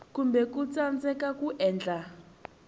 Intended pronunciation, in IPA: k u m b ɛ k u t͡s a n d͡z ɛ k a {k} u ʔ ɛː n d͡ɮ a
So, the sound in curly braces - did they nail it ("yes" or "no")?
yes